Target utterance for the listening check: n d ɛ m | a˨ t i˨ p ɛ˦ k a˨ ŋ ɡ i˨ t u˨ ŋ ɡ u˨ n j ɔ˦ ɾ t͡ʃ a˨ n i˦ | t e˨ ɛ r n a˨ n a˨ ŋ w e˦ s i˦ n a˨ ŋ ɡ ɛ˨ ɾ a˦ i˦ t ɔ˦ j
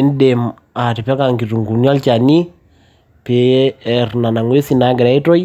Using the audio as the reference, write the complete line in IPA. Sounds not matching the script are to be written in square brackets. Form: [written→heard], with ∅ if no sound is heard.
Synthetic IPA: n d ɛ m | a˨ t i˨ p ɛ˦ k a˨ ŋ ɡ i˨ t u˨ ŋ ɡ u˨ n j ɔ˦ [ɾ→l] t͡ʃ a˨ n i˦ | [t→p] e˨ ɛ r n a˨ n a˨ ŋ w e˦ s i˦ n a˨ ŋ ɡ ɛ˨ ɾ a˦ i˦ t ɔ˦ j